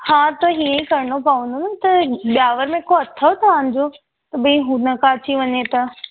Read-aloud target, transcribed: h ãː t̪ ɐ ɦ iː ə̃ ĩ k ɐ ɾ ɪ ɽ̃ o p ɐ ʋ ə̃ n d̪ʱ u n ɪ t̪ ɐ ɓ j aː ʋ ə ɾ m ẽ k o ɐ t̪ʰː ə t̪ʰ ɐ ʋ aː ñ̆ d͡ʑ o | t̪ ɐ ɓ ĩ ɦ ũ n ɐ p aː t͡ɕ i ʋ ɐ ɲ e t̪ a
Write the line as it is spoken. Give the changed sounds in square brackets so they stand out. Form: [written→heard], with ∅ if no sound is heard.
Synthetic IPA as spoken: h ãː t̪ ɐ ɦ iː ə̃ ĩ k ɐ ɾ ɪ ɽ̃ o p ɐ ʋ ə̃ n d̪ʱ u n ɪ t̪ ɐ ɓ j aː ʋ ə ɾ m ẽ k o ɐ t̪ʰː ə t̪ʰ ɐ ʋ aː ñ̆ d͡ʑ o | t̪ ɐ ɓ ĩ ɦ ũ n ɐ [p→k] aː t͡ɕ i ʋ ɐ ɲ e t̪ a